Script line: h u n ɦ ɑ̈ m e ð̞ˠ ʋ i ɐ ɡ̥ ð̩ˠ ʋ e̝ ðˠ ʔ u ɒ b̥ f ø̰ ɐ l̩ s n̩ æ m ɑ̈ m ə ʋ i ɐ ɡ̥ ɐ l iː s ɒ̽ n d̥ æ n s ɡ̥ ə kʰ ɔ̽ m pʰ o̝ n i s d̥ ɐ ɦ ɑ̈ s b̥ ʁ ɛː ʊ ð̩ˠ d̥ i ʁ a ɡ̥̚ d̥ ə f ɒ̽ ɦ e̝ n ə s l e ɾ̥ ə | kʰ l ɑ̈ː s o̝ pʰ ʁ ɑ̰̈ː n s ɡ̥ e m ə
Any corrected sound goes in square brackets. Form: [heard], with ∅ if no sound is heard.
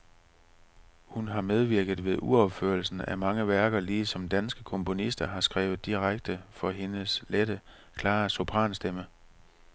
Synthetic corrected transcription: h u n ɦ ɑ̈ m e ð̞ˠ ʋ i ɐ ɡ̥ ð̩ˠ ʋ e̝ ðˠ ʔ u ɒ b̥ f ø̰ ɐ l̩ s n̩ æ m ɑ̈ [ŋ] ə ʋ [æ] ɐ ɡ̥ ɐ l iː s ɒ̽ [m] d̥ æ n s ɡ̥ ə kʰ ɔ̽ m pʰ o̝ n i s d̥ ɐ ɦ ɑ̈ s [ɡ̥] ʁ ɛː ʊ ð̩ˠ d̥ i ʁ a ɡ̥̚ d̥ ə f ɒ̽ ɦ e̝ n ə s l e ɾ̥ ə | kʰ l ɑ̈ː s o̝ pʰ ʁ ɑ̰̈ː n s [d̥] e m ə